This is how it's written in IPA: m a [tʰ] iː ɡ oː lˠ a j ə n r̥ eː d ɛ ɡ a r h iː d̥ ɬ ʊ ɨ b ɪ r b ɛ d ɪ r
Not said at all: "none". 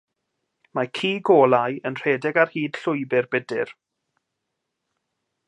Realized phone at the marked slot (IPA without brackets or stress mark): kʰ